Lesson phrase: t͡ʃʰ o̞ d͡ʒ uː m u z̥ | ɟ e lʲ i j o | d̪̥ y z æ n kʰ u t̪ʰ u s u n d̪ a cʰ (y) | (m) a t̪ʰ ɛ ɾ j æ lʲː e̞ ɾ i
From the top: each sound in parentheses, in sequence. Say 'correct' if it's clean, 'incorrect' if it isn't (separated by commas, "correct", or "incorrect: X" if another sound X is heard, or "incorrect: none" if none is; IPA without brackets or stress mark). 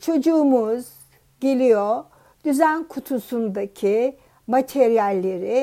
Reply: incorrect: i, correct